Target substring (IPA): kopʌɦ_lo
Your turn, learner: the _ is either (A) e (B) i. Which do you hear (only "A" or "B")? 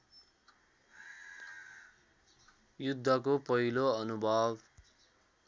B